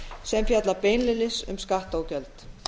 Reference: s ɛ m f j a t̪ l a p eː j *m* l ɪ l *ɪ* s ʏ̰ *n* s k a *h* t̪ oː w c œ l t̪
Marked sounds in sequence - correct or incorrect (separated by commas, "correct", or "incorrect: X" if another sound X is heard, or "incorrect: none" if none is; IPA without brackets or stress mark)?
incorrect: n, correct, incorrect: m, correct